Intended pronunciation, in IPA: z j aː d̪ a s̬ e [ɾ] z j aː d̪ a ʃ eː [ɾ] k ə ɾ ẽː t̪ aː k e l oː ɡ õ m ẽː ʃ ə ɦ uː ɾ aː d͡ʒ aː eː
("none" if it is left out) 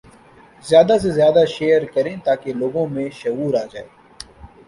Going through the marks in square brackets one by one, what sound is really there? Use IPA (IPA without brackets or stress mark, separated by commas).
none, ɾ